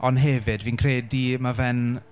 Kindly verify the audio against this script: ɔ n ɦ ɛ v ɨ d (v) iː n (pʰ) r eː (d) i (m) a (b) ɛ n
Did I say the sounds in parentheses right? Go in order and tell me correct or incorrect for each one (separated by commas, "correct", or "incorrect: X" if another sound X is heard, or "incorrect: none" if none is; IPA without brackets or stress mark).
correct, incorrect: kʰ, correct, correct, incorrect: v